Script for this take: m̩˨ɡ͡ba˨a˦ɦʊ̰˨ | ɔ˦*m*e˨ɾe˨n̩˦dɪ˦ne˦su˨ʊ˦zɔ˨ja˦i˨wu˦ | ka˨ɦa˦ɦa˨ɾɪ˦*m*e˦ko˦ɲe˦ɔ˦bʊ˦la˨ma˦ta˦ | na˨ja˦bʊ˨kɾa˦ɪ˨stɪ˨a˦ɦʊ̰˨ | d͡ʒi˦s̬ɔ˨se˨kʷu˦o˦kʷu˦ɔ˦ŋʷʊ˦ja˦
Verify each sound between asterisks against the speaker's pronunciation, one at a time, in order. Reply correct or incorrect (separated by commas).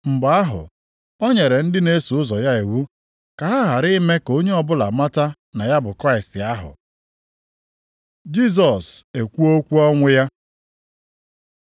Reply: incorrect, correct